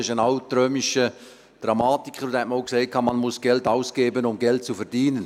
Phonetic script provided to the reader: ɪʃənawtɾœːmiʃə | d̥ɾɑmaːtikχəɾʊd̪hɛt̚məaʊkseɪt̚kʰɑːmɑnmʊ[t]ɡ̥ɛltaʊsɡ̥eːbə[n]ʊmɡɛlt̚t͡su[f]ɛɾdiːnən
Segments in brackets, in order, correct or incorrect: incorrect, correct, correct

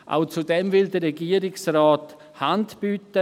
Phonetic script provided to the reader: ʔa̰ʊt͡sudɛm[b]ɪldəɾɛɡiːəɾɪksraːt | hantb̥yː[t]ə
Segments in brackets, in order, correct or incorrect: incorrect, correct

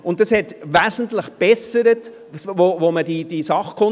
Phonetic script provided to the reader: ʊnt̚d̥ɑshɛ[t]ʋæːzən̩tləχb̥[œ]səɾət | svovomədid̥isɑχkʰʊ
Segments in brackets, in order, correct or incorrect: correct, incorrect

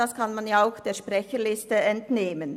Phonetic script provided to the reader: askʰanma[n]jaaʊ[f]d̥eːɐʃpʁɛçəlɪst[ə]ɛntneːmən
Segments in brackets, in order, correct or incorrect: correct, incorrect, correct

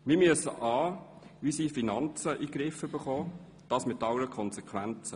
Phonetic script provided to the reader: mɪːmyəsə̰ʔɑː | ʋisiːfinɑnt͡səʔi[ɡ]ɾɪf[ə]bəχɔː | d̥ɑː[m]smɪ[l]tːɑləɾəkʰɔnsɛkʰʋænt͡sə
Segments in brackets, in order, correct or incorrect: correct, correct, incorrect, incorrect

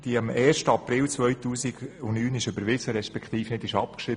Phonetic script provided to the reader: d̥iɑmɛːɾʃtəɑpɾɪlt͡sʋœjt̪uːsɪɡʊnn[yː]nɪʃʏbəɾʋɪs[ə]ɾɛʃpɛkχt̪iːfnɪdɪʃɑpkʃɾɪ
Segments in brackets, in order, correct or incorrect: correct, correct

